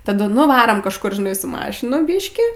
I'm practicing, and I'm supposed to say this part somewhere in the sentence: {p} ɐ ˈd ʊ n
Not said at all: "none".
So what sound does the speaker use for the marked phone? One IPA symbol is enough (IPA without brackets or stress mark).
t